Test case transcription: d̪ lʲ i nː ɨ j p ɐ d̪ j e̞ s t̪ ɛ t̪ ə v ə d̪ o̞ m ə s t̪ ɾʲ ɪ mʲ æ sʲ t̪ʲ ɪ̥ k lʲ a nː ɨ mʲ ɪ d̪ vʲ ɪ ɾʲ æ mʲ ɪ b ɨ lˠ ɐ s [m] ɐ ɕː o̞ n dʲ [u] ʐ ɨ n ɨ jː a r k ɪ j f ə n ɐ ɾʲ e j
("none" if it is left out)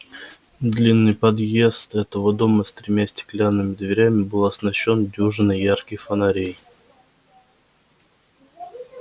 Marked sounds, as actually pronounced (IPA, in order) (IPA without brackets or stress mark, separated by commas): n, u